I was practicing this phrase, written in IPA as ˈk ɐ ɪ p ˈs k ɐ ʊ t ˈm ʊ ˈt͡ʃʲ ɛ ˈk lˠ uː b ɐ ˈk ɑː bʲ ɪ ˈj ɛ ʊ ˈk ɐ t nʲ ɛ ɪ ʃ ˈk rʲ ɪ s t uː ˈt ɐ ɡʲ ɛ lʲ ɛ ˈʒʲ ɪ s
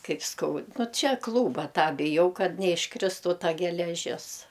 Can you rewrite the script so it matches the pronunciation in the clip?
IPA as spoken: ˈk ɐ ɪ p ˈs k ɐ ʊ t ˈn ʊ ˈt͡ʃʲ ɛ ˈk lˠ uː b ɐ ˈt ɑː bʲ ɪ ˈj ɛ ʊ ˈk ɐ t nʲ ɛ ɪ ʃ ˈk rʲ ɪ s t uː ˈt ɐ ɡʲ ɛ lʲ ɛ ˈʒʲ ɪ s